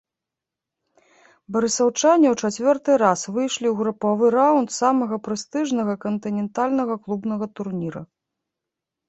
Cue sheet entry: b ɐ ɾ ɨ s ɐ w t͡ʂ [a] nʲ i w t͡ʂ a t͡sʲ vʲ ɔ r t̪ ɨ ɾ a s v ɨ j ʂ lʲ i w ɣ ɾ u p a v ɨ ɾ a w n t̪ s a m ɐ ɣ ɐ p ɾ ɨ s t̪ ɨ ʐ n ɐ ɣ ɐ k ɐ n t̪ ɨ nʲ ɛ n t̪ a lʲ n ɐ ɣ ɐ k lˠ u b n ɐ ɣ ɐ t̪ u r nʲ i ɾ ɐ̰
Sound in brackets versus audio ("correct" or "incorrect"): correct